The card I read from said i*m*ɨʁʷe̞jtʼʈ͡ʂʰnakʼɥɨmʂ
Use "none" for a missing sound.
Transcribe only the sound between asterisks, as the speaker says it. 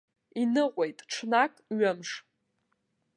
n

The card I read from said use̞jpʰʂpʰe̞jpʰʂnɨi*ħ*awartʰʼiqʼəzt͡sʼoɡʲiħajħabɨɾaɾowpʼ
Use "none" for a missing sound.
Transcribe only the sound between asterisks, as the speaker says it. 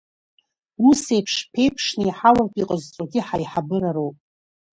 ħ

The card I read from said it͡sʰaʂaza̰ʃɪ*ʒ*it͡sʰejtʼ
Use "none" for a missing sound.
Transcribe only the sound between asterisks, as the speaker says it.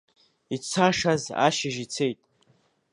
ʒ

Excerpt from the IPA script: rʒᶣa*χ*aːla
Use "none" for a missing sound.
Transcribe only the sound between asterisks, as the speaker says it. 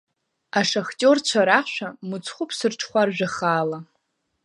χ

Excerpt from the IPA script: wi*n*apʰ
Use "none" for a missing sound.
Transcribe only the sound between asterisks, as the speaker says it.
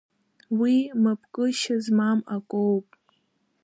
m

